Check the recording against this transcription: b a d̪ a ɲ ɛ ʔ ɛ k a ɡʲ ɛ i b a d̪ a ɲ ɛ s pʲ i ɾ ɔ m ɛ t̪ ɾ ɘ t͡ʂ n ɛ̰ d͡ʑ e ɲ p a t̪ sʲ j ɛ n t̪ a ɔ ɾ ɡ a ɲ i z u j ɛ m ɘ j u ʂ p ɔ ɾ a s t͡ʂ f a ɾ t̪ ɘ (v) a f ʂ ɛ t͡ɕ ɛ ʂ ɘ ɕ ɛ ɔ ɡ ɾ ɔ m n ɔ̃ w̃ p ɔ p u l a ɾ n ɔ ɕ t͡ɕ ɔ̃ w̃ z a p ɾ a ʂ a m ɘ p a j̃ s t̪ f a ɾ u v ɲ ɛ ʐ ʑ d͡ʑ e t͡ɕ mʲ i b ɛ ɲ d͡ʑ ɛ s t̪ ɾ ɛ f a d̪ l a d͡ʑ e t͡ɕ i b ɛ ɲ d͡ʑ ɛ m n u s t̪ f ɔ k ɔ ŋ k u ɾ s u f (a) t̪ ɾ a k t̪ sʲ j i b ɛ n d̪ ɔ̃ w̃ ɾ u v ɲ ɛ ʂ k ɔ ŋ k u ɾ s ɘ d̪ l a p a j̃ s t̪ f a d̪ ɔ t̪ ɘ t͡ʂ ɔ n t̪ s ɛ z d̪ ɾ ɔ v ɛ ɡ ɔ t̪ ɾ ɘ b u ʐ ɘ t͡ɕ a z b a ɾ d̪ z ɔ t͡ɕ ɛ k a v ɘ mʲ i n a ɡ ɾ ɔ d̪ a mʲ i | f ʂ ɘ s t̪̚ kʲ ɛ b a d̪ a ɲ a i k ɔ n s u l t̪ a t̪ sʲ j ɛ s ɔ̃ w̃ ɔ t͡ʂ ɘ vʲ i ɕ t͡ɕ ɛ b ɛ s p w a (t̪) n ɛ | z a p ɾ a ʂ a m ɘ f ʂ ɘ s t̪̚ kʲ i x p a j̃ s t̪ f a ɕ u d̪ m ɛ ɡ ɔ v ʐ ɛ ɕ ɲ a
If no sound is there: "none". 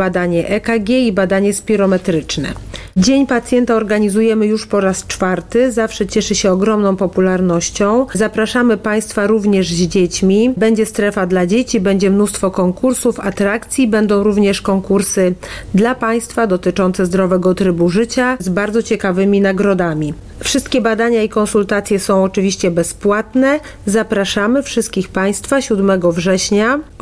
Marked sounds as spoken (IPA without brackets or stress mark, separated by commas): z, a, t̪